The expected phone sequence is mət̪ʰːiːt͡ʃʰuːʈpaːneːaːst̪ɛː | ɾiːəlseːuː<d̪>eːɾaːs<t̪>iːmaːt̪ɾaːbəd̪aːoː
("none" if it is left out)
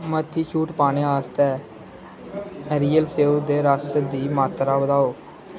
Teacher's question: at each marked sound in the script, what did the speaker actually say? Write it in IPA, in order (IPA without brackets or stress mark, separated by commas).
d̪, d̪